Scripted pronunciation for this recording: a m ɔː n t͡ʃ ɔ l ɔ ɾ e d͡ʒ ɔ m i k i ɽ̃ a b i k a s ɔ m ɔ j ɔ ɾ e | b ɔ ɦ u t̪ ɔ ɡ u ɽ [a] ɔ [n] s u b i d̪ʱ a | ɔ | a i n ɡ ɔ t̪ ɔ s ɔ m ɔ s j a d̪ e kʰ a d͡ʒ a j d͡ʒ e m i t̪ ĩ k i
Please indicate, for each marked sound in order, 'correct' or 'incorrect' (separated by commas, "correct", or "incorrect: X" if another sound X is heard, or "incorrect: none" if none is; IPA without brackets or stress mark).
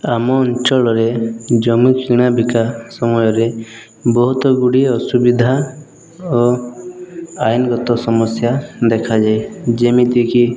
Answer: incorrect: i, incorrect: none